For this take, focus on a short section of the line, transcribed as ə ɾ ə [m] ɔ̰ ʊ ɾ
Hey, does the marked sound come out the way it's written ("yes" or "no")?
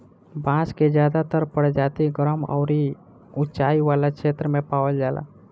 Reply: yes